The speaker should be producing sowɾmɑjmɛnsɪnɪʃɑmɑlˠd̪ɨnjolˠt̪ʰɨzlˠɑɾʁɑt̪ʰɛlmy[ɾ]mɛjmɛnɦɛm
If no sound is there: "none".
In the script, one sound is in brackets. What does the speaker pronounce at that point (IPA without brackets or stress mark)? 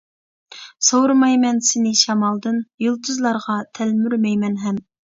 ɾ